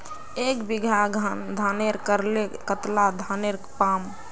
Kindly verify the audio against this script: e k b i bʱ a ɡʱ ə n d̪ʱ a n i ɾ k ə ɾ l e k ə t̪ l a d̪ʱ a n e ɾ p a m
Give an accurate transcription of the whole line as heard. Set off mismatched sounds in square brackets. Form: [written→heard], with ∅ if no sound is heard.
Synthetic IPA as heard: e k b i [bʱ→ɡʱ] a ɡʱ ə n d̪ʱ a n [i→e] ɾ k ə ɾ l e k ə t̪ l a d̪ʱ a n e ɾ p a m